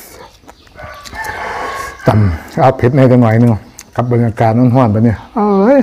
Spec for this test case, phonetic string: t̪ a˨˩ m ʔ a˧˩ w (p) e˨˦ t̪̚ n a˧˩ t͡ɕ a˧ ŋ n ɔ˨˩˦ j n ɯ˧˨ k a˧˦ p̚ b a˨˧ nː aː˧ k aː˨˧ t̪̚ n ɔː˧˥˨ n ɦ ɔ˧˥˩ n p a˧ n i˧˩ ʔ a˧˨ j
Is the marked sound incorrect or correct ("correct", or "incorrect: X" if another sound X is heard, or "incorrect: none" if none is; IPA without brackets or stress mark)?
incorrect: pʰ